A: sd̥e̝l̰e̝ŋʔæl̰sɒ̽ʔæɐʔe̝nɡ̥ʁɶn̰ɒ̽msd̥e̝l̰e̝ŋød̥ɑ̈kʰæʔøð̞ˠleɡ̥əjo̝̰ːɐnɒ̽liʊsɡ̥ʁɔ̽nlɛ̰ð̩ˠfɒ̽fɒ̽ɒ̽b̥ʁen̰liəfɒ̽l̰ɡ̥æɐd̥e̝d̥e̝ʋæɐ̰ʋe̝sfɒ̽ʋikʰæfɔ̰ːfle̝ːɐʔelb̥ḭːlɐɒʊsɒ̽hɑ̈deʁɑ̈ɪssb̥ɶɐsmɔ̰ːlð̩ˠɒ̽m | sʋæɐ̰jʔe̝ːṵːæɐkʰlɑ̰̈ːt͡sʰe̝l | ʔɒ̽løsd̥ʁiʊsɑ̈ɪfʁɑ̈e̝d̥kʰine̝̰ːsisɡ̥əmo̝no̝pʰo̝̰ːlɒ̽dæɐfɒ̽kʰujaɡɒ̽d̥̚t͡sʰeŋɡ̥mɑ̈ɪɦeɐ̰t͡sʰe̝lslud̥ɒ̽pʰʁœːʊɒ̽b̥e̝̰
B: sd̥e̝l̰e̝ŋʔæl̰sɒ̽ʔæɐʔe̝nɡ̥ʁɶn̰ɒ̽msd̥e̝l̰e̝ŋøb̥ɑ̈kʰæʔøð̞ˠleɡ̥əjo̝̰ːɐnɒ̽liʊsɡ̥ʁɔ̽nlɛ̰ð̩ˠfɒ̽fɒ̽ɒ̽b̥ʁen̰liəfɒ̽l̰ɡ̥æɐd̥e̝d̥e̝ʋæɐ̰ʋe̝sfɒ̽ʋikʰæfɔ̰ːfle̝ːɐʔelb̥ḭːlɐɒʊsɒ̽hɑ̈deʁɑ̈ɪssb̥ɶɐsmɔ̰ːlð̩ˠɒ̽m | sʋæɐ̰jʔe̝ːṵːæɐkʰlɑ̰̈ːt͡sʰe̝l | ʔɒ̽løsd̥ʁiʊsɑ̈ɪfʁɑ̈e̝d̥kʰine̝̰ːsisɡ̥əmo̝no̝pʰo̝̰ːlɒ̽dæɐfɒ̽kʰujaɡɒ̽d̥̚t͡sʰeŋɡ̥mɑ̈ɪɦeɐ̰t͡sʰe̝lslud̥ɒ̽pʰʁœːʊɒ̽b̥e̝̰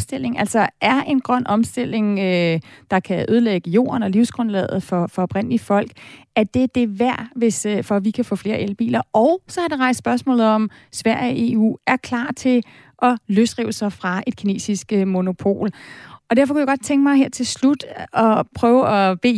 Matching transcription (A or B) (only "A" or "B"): A